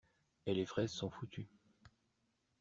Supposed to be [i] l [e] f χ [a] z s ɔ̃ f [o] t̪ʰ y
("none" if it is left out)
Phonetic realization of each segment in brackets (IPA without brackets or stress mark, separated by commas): e, e, ɛ, u